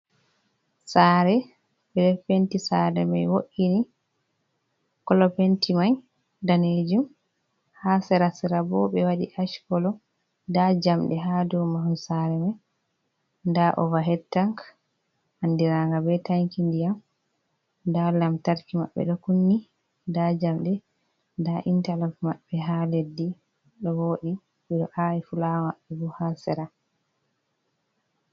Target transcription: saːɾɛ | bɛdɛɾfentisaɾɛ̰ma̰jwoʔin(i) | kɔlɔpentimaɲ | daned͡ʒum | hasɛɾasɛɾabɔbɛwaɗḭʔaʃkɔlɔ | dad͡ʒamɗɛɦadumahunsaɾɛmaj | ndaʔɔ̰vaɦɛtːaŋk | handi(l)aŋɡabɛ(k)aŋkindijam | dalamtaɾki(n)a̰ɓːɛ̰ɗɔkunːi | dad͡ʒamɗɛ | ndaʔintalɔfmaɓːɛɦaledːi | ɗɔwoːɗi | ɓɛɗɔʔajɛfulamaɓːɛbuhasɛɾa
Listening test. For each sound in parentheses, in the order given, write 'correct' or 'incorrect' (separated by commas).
correct, incorrect, incorrect, incorrect